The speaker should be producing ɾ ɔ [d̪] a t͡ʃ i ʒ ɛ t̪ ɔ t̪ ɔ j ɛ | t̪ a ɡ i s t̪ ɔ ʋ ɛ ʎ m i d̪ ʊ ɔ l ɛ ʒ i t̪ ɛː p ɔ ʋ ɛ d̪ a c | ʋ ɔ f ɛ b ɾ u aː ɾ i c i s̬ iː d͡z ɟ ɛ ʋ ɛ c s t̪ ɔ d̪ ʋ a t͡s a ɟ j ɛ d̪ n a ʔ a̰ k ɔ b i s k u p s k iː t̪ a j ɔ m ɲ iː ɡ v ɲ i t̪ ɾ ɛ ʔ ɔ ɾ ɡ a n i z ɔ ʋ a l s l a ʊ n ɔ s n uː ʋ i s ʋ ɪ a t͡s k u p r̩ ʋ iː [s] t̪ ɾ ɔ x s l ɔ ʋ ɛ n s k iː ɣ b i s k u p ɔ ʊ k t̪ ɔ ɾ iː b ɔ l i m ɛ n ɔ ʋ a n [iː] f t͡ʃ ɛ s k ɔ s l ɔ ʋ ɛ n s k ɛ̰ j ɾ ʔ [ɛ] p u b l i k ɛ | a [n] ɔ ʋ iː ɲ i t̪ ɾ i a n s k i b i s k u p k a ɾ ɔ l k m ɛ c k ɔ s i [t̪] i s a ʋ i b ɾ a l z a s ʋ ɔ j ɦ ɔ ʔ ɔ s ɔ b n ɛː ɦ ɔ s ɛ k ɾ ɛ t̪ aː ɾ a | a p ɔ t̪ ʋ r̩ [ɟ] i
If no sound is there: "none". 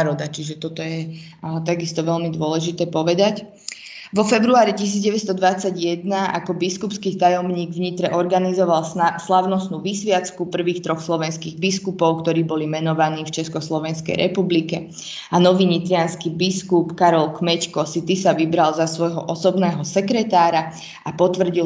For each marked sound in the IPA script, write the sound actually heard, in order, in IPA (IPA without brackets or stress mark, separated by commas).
d̪, x, iː, ɛ, n, t̪, ɟ